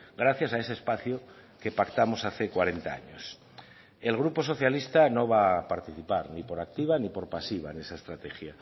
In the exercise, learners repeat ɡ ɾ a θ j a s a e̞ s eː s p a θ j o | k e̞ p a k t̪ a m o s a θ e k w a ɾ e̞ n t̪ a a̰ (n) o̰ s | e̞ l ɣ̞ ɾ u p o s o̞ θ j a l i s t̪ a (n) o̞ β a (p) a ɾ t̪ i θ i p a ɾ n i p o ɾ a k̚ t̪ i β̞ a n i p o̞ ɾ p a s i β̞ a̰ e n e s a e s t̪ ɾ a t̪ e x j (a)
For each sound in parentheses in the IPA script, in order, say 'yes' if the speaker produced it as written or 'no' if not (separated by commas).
no, yes, yes, yes